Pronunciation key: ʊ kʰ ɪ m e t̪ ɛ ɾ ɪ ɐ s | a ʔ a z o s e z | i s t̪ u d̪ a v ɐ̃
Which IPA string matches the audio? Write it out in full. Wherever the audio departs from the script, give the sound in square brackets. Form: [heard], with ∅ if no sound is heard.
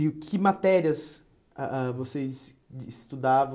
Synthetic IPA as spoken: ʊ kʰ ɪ m [a] t̪ ɛ ɾ [i] ɐ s | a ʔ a [v] o s e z | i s t̪ u d̪ a v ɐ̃

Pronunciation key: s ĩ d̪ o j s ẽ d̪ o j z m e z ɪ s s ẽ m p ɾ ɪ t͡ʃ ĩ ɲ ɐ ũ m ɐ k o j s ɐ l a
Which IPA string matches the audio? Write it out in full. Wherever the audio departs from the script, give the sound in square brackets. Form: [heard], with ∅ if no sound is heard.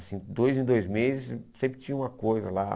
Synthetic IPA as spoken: s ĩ d̪ o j [z] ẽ d̪ o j z m e z ɪ s s ẽ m p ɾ ɪ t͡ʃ ĩ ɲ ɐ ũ m ɐ k o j [z] ɐ l a

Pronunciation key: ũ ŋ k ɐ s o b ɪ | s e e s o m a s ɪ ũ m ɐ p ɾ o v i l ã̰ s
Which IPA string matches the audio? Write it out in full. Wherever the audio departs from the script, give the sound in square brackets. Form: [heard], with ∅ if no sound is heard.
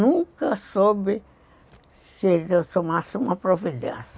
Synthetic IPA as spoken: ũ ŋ k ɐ s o b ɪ | s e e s o m a s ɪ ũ m ɐ p ɾ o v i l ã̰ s

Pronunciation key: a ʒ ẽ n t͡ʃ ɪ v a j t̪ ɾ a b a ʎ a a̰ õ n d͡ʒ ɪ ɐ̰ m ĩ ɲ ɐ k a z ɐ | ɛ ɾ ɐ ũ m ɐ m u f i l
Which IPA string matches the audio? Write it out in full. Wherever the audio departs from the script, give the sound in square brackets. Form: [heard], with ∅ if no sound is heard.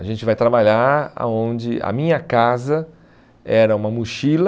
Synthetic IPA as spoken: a ʒ ẽ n t͡ʃ ɪ v a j t̪ ɾ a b a ʎ a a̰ õ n d͡ʒ ɪ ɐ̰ m ĩ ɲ ɐ k a z ɐ | ɛ ɾ ɐ ũ m ɐ m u [ʃ] i l

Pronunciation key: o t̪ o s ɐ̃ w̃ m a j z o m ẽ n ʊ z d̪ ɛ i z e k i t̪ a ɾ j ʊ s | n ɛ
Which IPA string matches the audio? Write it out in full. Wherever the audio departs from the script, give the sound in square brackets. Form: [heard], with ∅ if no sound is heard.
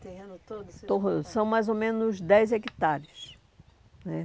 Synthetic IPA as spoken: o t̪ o s ɐ̃ w̃ m a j z o m ẽ n ʊ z d̪ ɛ [j] z e k i t̪ a ɾ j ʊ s | n ɛ

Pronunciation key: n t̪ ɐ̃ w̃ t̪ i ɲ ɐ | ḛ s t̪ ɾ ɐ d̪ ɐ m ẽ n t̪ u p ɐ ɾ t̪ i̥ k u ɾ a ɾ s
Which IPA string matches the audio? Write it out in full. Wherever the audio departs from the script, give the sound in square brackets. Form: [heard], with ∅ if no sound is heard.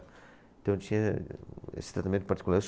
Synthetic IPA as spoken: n t̪ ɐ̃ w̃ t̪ i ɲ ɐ | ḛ s t̪ ɾ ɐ [t̪] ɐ m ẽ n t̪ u p ɐ ɾ t̪ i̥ k u [l] a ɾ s

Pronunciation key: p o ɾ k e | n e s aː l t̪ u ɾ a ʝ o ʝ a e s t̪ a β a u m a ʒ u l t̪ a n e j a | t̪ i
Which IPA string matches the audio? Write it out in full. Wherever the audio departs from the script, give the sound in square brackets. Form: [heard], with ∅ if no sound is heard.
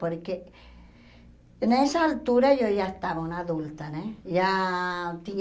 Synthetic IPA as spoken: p o ɾ k e | n e s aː l t̪ u ɾ a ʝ o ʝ a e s t̪ a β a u [n] a [ð] u l t̪ a n e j a | t̪ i

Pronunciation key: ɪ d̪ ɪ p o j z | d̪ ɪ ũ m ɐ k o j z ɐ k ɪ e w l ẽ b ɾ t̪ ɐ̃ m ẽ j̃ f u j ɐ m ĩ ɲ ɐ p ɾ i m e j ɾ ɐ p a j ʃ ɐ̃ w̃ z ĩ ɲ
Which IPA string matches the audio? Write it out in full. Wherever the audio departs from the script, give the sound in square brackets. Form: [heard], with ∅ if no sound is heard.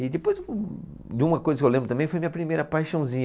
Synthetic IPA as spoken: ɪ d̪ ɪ p o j z | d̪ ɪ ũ m ɐ k o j z ɐ k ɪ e w l ẽ b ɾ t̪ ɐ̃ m ẽ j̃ f [o] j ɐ m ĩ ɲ ɐ p ɾ i m e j ɾ ɐ p a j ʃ ɐ̃ w̃ z ĩ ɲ

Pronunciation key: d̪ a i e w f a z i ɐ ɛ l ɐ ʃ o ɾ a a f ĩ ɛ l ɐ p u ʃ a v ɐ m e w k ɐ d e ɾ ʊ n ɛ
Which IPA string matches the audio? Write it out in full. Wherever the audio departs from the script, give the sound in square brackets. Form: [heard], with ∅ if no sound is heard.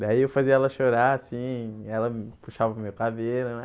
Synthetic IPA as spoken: d̪ a i e w f a z i ɐ ɛ l ɐ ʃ o ɾ a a [s] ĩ ɛ l ɐ p u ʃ a v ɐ m e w k [a] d e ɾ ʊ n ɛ

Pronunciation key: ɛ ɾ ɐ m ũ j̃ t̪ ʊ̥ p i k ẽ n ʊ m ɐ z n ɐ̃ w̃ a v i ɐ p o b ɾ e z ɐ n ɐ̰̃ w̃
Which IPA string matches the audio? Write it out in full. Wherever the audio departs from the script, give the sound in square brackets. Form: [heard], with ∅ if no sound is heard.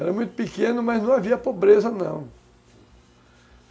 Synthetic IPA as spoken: ɛ ɾ ɐ m ũ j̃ t̪ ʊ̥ p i k ẽ n ʊ m ɐ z n ɐ̃ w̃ a v i ɐ p o b ɾ e z ɐ n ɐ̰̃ w̃

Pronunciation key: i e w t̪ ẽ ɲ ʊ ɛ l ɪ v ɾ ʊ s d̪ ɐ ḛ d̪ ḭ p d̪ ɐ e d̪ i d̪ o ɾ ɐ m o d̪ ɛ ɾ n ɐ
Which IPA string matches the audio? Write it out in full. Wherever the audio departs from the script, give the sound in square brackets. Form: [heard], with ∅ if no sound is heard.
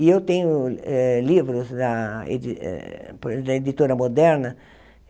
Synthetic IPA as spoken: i e w t̪ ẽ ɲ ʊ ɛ l [i] v ɾ ʊ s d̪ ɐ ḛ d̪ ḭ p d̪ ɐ e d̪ i [t̪] o ɾ ɐ m o d̪ ɛ ɾ n ɐ

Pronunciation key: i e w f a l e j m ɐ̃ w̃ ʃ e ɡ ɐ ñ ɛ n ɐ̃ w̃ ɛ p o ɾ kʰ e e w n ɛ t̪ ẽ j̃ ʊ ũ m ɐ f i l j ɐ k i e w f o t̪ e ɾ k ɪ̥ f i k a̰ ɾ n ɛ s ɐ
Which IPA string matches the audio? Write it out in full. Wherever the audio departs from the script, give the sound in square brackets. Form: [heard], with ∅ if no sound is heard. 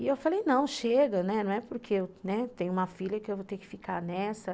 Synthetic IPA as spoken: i e w f a l e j [n] ɐ̃ w̃ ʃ e ɡ ɐ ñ ɛ n ɐ̃ w̃ ɛ p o ɾ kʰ e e w n ɛ t̪ ẽ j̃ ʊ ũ m ɐ f i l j ɐ k [ɪ] e w [v] o t̪ e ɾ k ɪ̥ f i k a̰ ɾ n ɛ s ɐ

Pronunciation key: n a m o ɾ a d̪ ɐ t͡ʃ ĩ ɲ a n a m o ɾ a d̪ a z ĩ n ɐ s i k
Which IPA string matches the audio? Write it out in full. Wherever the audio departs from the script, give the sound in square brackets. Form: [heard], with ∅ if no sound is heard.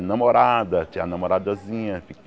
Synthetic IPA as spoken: n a m o ɾ a d̪ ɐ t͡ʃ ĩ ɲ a n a m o ɾ a d̪ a z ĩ [ɲ] ɐ [f] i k

